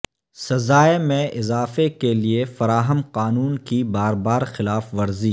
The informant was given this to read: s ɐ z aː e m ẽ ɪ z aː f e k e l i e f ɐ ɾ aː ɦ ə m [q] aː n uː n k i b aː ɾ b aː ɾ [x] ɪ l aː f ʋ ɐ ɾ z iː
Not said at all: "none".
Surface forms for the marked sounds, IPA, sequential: q, x

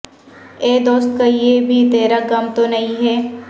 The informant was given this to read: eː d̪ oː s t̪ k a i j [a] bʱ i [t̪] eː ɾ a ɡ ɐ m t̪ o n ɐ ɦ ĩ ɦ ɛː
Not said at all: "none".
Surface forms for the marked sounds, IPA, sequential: e, t̪

